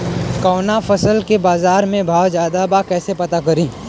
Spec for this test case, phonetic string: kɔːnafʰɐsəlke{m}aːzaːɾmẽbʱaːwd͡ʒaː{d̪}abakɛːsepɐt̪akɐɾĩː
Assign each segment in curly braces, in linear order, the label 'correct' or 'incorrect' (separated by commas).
incorrect, correct